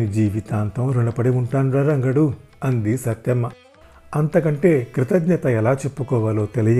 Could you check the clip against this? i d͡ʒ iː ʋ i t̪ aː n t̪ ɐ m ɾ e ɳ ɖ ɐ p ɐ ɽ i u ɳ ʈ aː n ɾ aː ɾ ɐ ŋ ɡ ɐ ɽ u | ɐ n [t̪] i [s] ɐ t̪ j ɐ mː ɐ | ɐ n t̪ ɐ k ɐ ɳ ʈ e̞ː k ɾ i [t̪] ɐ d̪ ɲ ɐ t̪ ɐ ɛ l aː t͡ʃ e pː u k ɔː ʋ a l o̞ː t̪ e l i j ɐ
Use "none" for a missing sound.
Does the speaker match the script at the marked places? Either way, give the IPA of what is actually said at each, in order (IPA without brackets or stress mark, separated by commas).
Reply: d̪, s, t̪